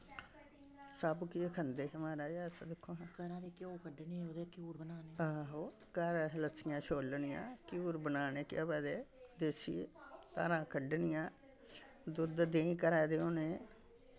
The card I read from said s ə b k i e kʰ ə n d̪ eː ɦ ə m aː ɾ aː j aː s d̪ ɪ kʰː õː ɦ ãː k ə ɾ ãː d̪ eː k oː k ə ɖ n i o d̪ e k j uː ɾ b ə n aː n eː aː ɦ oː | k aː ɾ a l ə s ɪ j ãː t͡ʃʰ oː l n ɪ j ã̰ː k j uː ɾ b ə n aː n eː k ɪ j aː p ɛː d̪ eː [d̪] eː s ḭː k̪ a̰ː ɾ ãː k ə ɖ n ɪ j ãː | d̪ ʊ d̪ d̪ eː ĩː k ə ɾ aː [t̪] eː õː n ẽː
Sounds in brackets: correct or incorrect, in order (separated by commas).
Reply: correct, incorrect